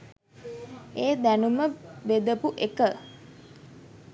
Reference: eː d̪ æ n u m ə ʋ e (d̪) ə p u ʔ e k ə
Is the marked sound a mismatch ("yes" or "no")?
no